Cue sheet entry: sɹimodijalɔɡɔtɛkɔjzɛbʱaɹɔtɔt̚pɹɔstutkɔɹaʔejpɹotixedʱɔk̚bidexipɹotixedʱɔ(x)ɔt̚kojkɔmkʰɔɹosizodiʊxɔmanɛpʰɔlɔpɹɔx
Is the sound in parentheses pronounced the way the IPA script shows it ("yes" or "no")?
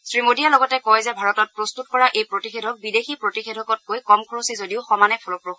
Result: no